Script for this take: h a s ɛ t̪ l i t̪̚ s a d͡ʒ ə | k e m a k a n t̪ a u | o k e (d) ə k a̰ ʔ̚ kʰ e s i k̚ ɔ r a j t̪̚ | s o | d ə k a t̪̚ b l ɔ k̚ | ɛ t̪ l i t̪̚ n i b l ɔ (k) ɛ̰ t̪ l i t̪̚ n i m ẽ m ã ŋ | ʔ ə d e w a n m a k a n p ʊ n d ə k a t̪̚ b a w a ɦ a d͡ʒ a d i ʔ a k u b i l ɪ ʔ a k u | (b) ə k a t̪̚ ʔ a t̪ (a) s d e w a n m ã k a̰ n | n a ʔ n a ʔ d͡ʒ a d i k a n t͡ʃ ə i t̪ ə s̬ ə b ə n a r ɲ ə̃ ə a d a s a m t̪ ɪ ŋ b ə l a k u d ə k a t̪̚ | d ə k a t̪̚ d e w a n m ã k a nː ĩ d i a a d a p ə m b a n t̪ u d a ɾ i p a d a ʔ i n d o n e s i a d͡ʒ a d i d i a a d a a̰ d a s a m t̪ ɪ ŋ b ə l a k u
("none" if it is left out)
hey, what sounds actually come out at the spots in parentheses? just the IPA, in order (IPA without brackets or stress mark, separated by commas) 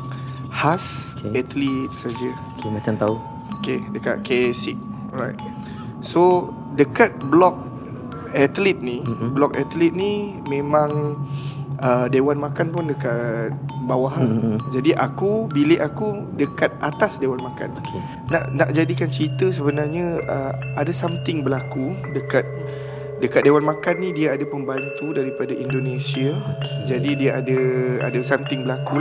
d, k, d, a